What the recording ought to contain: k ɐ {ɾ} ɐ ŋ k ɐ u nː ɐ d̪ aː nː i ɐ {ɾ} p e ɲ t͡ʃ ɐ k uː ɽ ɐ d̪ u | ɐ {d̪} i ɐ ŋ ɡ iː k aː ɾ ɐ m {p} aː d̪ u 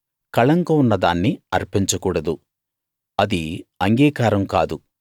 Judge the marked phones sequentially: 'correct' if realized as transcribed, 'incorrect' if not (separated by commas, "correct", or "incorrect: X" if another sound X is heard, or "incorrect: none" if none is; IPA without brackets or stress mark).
incorrect: ɭ, correct, correct, incorrect: k